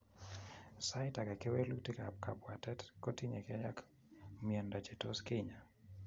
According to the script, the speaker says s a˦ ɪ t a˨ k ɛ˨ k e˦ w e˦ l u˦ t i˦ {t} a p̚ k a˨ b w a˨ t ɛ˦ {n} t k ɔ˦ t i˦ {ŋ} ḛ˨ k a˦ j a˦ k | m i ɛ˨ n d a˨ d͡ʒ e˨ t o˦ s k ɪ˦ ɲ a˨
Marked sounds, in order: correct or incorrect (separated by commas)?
incorrect, incorrect, incorrect